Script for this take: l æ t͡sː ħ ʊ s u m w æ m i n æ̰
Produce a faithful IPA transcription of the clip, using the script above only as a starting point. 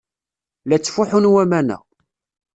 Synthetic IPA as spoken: l æ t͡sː f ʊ ħ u n w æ m æ n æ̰